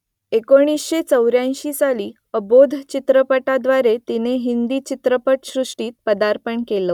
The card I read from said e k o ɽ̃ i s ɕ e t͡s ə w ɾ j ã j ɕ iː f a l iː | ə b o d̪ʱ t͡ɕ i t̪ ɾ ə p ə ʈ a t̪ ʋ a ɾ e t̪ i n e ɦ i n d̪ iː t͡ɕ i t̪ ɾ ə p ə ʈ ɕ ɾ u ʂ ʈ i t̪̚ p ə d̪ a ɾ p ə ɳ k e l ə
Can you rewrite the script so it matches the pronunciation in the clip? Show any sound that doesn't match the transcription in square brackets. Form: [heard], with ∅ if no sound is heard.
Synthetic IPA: e k o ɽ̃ i s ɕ e t͡s ə w ɾ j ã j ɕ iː [s] a l iː | ə b o d̪ʱ t͡ɕ i t̪ ɾ ə p ə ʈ a [d̪] ʋ a ɾ e t̪ i n e ɦ i n d̪ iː t͡ɕ i t̪ ɾ ə p ə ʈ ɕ ɾ u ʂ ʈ [iː] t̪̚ p ə d̪ a ɾ p ə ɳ k e l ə